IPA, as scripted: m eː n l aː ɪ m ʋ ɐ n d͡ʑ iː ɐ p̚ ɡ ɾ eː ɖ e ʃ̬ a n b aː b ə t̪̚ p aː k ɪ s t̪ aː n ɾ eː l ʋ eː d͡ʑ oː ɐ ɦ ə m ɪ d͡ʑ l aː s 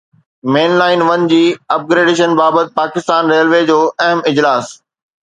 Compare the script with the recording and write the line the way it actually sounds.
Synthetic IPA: m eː n l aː ɪ n ʋ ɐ n d͡ʑ iː ɐ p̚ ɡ ɾ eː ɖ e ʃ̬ ə n b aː b ə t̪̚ p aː k ɪ s t̪ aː n ɾ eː l ʋ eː d͡ʑ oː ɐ ɦ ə m ɪ d͡ʑ l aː s